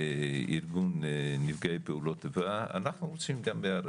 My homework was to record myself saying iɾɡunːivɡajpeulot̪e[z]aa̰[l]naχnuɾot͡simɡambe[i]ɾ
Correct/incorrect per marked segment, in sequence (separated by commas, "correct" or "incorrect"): incorrect, incorrect, incorrect